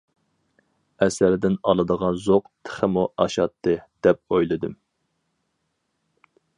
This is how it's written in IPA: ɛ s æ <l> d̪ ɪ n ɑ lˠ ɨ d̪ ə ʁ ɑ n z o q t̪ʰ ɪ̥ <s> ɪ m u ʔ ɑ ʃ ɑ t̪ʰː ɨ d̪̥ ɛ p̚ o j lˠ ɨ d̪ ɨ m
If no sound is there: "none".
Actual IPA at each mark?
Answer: ɾ, χ

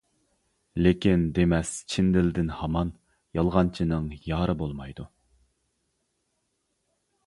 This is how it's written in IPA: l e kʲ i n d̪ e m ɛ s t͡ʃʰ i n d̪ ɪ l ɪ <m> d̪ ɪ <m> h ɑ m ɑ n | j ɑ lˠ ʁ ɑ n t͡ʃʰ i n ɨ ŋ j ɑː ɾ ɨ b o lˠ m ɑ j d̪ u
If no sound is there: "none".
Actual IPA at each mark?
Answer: none, n

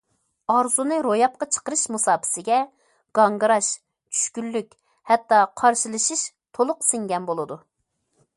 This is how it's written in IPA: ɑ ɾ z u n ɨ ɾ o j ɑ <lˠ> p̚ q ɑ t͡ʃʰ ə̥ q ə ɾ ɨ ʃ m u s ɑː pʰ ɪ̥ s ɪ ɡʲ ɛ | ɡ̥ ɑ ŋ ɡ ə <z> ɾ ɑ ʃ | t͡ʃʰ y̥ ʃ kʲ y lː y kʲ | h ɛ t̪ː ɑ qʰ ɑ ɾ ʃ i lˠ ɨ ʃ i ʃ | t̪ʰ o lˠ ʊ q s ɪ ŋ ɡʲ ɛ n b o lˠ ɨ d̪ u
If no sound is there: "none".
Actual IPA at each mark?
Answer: none, none

